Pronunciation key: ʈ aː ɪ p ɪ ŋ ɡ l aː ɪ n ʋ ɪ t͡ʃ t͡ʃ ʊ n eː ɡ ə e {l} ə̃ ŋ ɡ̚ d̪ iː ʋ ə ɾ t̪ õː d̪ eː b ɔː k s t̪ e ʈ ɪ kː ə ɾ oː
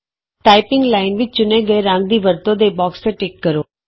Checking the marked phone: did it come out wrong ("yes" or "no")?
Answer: yes